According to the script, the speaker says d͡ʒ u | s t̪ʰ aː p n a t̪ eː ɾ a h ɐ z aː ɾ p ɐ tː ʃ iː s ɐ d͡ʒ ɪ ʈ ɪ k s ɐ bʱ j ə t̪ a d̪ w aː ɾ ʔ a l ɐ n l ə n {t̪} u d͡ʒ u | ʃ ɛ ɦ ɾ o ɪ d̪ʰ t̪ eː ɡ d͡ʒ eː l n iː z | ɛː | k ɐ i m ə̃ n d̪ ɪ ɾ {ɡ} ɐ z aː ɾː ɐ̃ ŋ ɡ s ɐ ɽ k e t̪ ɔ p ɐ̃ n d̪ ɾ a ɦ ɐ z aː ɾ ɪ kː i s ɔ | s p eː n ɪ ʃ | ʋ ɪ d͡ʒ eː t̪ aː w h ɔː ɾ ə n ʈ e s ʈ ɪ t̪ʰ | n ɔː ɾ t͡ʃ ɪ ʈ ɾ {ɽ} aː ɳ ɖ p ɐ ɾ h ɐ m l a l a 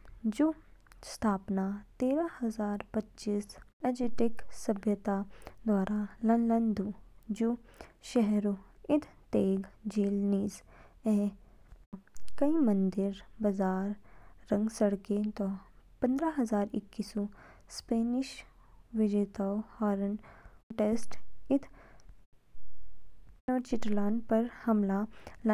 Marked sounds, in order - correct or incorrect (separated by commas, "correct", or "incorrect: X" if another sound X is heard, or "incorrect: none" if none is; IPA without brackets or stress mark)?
incorrect: d̪, incorrect: b, incorrect: l